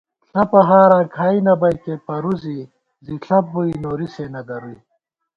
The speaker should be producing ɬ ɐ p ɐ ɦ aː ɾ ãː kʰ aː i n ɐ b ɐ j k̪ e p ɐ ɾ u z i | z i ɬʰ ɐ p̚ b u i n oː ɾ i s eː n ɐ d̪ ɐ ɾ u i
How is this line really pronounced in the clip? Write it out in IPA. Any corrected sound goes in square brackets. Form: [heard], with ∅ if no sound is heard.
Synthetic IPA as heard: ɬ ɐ p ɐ ɦ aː ɾ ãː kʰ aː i n ɐ b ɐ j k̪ e p ɐ ɾ u z i | z i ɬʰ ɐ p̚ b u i n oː ɾ i s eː n ɐ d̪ ɐ ɾ u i